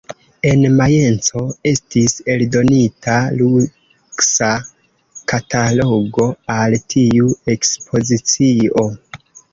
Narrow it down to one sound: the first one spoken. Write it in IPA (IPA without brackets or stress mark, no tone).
e̞